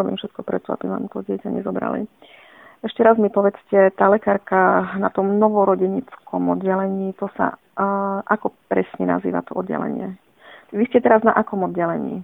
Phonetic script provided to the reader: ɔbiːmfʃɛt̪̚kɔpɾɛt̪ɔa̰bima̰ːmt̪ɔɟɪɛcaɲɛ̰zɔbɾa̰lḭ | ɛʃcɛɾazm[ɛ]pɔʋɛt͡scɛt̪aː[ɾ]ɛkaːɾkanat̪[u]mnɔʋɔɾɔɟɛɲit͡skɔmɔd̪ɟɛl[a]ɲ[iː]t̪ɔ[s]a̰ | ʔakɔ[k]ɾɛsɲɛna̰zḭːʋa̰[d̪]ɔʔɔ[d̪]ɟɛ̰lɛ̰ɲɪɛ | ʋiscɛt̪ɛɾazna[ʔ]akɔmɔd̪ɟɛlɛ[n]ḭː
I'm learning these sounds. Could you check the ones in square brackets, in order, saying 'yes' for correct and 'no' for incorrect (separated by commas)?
no, no, no, no, yes, yes, no, no, yes, yes, no